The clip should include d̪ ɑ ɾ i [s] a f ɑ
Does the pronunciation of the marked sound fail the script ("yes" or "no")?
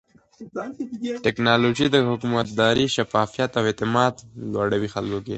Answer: yes